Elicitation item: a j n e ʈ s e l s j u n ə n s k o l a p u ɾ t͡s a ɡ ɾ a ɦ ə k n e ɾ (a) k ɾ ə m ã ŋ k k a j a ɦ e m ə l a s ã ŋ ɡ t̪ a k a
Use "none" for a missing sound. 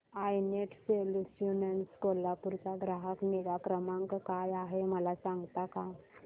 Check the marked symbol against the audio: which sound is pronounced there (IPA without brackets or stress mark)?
a